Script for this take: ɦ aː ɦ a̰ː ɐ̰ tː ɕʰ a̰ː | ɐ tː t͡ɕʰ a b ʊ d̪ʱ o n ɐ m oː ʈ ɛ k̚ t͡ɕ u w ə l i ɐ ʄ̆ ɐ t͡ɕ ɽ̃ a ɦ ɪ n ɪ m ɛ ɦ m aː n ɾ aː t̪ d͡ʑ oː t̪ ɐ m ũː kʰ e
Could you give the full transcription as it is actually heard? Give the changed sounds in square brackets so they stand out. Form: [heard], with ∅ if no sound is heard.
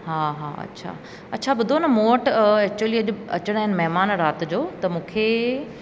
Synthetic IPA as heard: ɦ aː ɦ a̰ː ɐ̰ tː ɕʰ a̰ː | ɐ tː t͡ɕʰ a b ʊ d̪ʱ o n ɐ m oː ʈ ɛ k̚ t͡ɕ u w ə l i ɐ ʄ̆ ɐ t͡ɕ ɽ̃ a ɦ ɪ n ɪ m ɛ ɦ m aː n ɾ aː t̪ d͡ʑ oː t̪ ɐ m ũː kʰ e